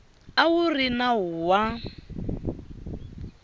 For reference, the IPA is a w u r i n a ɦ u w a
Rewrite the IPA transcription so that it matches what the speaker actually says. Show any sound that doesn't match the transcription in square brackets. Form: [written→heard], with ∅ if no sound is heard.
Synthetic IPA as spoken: a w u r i n a ɦ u w a